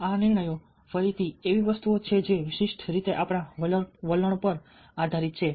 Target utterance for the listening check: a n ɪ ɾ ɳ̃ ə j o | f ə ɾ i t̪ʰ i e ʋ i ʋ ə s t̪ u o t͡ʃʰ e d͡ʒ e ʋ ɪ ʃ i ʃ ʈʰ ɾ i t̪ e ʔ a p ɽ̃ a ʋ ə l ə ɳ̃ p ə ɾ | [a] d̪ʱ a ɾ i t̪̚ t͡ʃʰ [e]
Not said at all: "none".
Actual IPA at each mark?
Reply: a, e

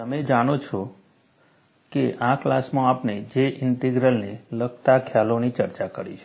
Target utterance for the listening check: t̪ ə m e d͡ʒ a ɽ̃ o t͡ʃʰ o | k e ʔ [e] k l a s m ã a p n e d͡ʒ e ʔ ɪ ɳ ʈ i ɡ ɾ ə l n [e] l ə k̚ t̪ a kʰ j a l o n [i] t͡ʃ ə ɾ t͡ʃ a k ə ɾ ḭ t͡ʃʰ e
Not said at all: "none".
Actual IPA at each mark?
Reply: a, e, i

